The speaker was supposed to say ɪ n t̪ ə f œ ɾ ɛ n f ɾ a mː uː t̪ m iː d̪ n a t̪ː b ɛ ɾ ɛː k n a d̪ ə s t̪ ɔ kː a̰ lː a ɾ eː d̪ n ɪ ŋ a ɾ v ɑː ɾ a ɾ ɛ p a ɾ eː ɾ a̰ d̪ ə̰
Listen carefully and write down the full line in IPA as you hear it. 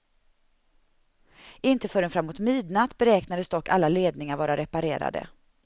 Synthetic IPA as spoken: ɪ n t̪ ə f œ ɾ ɛ n f ɾ a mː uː t̪ m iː d̪ n a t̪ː b ɛ ɾ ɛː k n a d̪ ə s d̪ ɔ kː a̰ lː a l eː d̪ n ɪ ŋ a ɾ v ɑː ɾ a ɾ ɛ p a ɾ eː ɾ a̰ d̪ ə̰